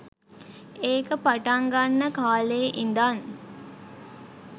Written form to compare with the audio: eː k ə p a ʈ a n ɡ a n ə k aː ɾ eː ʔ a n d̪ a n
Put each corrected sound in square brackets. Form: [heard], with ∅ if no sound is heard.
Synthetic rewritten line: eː k ə p a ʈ a [ŋ] ɡ a [nː] ə k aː [l] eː ʔ [i] n d̪ a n

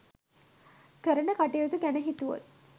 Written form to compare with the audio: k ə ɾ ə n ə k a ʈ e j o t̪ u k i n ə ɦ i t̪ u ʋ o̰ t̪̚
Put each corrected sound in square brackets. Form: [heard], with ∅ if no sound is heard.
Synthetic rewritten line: k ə ɾ ə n ə k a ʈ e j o t̪ u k [æ] n ə ɦ i t̪ u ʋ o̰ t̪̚

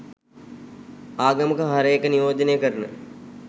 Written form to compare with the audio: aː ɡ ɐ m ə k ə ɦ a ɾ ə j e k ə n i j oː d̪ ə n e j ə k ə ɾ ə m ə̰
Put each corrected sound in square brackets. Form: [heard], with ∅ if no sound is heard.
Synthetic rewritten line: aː ɡ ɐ m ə k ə ɦ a ɾ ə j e k ə n i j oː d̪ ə n e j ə k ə ɾ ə [n] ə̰

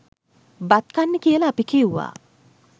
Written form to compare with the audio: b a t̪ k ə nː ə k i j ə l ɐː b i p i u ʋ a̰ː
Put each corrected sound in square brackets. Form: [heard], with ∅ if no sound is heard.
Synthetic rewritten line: b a t̪ k [a] nː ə k i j ə l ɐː [p] i [k] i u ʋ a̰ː

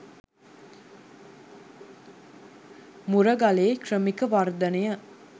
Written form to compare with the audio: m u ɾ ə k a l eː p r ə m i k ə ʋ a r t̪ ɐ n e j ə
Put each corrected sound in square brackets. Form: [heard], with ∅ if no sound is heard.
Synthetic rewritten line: m u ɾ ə [ɡ] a l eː [k] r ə m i k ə ʋ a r [d̪] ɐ n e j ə

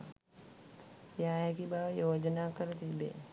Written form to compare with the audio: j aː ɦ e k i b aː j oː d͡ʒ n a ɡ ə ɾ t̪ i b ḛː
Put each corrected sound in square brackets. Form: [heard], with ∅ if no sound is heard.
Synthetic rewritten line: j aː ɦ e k i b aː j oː d͡ʒ n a [k] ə ɾ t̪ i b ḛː

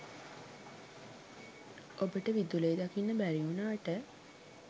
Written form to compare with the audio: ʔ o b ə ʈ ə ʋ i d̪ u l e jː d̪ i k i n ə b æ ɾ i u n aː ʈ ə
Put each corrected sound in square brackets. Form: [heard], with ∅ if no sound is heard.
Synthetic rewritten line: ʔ o b ə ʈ ə ʋ i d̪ u l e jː d̪ [a] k i [nː] ə b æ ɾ i u n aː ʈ ə

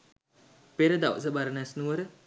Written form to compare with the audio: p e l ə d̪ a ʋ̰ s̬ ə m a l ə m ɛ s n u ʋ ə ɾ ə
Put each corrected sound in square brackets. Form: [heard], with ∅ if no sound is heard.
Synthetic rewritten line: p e [ɾ] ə d̪ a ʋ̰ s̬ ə [b] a [ɾ] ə [n] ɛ s n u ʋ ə ɾ ə

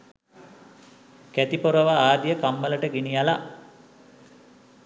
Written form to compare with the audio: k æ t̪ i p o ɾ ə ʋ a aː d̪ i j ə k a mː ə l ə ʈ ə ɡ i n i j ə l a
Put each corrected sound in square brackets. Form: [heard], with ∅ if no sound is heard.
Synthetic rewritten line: k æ t̪ i p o ɾ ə ʋ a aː d̪ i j ə k a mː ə l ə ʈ ə ɡ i n i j [a] l a

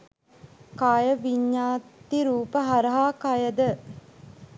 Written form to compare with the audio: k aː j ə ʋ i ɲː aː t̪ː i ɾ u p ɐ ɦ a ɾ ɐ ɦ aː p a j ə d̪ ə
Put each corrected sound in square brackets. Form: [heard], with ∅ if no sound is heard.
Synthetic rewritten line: k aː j ə ʋ i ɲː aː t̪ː i ɾ [uː] p [ə] ɦ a ɾ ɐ ɦ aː [k] a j ə d̪ ə

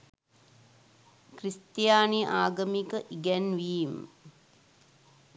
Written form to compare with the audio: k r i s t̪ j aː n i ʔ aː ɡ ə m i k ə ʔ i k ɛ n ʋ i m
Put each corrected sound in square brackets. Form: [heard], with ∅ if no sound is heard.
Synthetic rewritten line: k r i s t̪ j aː n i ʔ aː ɡ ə m i k ə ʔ i [ɡ] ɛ n ʋ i m

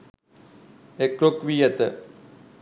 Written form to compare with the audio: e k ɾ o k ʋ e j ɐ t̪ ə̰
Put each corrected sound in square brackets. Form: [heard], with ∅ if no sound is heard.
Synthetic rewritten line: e k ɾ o k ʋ [i] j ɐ t̪ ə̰

